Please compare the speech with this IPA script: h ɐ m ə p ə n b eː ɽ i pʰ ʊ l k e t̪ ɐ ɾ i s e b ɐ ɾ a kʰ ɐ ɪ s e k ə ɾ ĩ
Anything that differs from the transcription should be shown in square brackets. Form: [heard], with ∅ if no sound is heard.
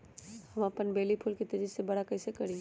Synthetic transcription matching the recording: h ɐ m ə p ə n b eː [l] i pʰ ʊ l k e t̪ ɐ ɾ i s e b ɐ [ɽ] a [k] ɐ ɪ s e k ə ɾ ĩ